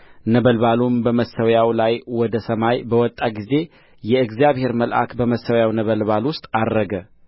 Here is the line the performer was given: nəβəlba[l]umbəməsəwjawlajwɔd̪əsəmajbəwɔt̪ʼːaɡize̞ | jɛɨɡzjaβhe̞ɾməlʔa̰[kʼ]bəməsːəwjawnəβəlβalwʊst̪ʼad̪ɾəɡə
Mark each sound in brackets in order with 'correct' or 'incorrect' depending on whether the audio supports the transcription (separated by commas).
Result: correct, incorrect